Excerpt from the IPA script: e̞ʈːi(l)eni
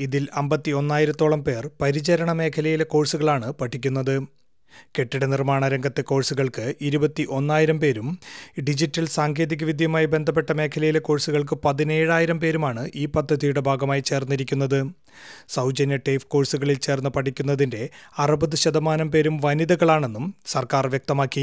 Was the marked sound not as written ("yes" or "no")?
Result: yes